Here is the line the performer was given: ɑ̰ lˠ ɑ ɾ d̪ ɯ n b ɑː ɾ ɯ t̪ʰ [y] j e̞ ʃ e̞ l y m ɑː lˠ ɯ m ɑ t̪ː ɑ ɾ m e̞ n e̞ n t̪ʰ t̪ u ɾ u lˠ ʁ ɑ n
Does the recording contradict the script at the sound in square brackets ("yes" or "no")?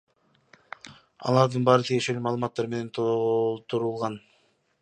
yes